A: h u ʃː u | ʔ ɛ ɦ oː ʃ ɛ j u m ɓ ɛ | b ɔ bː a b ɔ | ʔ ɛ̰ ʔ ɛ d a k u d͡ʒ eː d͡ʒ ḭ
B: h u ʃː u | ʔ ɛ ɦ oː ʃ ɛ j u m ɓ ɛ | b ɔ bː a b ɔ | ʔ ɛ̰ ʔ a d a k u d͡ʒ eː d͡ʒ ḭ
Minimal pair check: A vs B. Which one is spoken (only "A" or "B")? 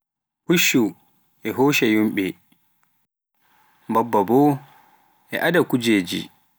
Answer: B